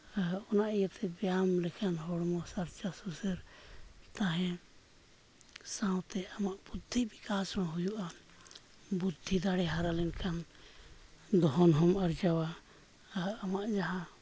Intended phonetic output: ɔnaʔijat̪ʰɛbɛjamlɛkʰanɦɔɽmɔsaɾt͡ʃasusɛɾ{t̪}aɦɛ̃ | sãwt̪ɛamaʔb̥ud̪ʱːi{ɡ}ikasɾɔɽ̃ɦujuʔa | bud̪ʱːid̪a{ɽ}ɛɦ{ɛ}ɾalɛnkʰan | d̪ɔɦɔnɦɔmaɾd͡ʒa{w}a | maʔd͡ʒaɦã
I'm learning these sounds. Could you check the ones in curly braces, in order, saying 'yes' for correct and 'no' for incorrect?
yes, no, yes, no, yes

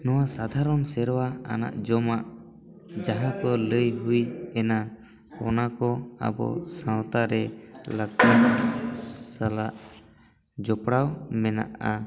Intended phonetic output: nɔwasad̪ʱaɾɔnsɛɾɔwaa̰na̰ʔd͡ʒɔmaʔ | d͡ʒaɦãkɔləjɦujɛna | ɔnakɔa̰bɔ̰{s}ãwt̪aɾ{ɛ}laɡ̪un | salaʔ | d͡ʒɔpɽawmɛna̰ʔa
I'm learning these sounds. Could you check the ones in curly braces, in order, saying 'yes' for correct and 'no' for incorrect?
yes, yes

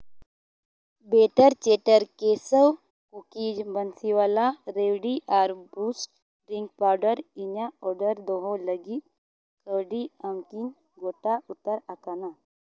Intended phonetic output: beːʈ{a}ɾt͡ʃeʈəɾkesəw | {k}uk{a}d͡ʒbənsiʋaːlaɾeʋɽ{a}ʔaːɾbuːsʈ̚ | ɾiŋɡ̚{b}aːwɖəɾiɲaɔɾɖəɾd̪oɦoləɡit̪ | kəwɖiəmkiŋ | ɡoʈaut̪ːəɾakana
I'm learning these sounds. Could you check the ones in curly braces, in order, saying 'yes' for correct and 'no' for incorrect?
no, yes, no, no, no

